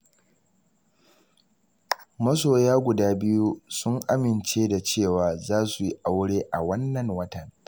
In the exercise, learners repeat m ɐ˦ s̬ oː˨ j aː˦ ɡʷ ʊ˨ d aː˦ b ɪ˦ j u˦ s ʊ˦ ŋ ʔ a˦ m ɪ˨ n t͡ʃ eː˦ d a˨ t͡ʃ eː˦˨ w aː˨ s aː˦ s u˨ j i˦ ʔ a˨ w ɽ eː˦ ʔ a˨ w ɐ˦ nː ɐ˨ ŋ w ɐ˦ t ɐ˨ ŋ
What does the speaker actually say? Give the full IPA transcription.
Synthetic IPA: m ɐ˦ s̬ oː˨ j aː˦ ɡʷ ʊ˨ d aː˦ b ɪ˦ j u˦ s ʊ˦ ŋ ʔ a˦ m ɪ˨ n t͡ʃ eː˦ d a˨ t͡ʃ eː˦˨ w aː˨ z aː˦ s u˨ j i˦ ʔ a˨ w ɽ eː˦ ʔ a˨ w ɐ˦ nː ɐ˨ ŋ w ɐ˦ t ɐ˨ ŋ